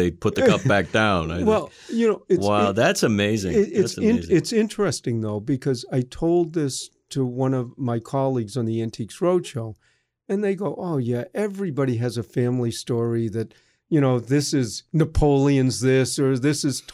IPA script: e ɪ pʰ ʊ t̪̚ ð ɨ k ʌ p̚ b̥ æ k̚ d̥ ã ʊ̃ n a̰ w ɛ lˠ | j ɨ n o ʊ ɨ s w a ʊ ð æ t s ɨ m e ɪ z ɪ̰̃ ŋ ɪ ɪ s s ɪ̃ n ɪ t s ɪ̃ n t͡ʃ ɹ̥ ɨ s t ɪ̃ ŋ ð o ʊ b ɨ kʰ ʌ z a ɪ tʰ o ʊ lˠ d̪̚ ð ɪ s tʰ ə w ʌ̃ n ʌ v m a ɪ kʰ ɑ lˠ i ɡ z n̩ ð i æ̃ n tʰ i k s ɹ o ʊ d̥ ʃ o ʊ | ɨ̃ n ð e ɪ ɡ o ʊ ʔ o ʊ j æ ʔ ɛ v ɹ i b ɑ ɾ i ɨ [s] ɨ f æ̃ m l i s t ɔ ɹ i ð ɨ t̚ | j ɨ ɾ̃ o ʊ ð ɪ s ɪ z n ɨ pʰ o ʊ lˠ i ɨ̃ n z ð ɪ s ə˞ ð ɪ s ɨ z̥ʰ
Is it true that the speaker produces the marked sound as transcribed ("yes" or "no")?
no